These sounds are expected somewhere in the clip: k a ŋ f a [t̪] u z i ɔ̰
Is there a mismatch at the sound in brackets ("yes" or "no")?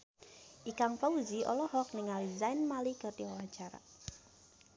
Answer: yes